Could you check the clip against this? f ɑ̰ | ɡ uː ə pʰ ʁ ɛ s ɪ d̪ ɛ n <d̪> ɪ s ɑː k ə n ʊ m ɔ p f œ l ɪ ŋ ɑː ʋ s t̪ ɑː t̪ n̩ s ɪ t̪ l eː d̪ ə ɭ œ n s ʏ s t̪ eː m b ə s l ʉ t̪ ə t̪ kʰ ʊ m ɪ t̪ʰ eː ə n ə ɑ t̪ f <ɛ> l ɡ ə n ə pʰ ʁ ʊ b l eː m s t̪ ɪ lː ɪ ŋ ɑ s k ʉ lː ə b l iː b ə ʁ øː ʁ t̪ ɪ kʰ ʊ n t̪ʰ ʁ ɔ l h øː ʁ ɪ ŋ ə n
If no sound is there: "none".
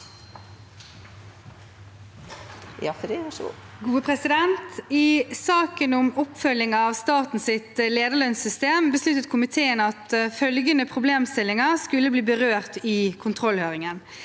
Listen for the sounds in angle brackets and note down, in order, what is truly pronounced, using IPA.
t̪, œ

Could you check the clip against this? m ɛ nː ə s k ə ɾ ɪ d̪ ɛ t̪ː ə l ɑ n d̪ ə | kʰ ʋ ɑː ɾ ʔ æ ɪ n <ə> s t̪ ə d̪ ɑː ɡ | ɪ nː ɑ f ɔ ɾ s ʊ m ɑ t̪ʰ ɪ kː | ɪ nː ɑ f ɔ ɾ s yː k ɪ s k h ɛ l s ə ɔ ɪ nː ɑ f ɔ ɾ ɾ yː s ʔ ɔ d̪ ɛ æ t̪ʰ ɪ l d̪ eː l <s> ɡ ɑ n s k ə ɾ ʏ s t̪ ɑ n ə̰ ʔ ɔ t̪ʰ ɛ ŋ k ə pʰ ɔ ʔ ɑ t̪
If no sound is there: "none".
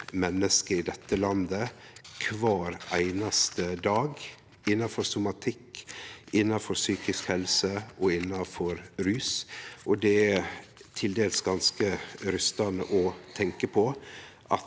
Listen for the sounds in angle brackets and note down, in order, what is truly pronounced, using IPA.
ɑ, s

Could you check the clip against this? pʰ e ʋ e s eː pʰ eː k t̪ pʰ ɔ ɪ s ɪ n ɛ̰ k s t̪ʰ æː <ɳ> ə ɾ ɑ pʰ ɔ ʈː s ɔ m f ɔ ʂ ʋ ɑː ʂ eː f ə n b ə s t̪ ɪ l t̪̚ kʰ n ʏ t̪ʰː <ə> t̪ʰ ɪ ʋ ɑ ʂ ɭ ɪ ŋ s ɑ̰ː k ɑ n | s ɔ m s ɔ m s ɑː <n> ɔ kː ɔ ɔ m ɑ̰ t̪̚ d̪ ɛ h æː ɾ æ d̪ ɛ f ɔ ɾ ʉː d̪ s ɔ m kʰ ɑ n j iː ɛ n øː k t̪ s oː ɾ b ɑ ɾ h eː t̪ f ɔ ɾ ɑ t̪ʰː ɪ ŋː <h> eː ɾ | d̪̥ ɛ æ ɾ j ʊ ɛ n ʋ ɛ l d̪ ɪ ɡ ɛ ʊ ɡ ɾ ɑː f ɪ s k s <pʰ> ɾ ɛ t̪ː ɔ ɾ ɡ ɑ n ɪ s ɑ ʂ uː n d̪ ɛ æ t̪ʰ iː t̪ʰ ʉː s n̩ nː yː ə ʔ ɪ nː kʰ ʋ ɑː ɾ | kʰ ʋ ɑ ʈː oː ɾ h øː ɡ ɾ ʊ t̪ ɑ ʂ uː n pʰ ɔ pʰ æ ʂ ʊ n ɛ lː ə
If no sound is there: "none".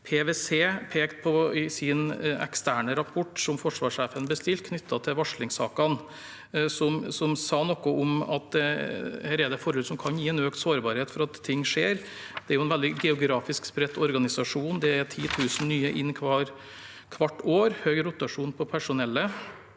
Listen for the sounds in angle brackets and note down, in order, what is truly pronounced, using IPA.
ɳ, ɑ, n, ʂ, p

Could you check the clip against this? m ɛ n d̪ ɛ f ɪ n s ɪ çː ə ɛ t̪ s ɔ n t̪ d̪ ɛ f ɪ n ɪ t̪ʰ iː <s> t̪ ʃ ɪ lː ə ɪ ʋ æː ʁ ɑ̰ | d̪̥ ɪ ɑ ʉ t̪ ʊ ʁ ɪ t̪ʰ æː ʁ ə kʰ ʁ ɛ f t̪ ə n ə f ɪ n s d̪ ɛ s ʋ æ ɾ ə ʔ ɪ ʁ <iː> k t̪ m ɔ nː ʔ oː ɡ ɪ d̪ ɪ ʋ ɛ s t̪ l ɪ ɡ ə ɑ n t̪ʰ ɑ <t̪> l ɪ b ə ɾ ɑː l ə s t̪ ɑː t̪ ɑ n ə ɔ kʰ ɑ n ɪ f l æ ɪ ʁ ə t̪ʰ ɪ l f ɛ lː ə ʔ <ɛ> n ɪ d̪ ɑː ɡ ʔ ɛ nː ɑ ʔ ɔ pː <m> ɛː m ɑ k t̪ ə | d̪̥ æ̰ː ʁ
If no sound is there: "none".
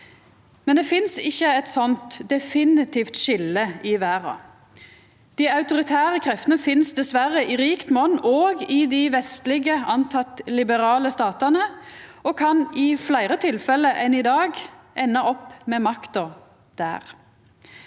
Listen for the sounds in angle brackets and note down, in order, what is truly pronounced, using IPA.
f, iː, t̪, ɛ, m

